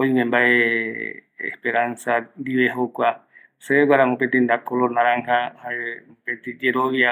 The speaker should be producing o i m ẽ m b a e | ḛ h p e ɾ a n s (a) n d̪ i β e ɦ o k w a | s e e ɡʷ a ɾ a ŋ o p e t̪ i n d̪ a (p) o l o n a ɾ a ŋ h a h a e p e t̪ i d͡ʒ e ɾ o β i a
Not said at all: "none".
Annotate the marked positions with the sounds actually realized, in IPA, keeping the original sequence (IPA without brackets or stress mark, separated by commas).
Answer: a, k